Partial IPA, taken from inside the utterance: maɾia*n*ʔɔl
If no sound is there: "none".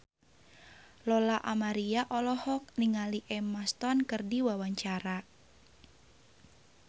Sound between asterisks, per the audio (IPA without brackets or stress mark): none